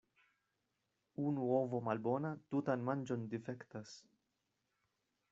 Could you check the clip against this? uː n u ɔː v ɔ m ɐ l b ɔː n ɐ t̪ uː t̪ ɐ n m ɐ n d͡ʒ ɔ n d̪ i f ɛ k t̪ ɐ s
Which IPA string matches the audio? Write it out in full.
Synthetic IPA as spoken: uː n u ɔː v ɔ m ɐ l b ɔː n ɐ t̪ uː t̪ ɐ n m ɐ n d͡ʒ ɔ n d̪ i f ɛ k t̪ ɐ s